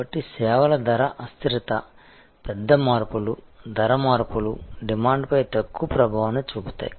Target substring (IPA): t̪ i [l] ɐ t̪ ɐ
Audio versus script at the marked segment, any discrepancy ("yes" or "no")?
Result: yes